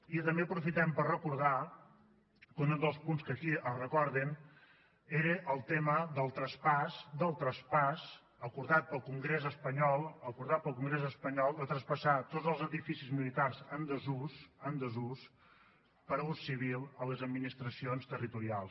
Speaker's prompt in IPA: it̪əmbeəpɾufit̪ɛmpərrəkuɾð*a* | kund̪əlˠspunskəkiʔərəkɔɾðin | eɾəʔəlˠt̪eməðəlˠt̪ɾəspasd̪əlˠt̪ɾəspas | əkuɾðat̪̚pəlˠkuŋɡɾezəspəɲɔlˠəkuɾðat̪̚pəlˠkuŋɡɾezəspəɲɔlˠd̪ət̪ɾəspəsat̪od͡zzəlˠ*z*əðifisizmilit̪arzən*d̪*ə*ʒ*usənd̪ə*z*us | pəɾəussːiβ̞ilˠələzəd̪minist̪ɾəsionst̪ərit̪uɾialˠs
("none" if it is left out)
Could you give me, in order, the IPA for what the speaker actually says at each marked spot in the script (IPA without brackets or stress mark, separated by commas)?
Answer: a, z, d̪, z, z